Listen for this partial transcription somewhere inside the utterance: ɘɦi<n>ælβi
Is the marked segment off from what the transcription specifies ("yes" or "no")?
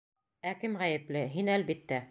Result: no